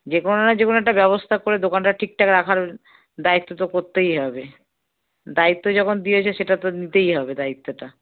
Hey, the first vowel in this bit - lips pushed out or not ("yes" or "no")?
no